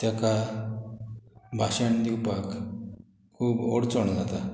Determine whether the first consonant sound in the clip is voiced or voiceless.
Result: voiceless